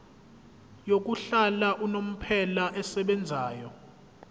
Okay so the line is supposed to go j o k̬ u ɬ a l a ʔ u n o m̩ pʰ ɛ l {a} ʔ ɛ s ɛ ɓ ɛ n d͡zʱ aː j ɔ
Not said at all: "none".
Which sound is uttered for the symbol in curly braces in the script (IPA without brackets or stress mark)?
a